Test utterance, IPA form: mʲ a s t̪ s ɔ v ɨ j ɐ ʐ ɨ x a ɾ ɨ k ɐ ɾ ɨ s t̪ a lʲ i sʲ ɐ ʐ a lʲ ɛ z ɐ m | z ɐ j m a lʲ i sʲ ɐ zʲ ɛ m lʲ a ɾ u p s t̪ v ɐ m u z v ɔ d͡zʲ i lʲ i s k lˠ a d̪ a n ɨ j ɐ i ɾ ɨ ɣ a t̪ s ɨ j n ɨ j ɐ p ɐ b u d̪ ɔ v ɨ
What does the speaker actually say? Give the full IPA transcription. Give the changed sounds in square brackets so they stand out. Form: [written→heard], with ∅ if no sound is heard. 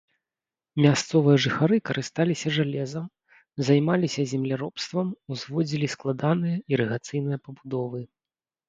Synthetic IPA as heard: mʲ a s t̪ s ɔ v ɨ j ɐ ʐ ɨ x a ɾ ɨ k ɐ ɾ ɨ s t̪ a lʲ i sʲ ɐ ʐ a lʲ ɛ z ɐ m | z [ɐ→a] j m a lʲ i sʲ ɐ zʲ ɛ m lʲ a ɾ [u→ɔ] p s t̪ v ɐ m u z v ɔ d͡zʲ i lʲ i s k lˠ a d̪ a n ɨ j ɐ i ɾ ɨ ɣ a t̪ s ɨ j n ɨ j ɐ p ɐ b u d̪ ɔ v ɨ